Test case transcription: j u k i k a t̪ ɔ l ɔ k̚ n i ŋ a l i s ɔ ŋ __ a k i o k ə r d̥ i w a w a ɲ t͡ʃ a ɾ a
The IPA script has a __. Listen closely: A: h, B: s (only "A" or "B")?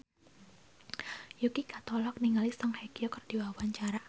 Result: A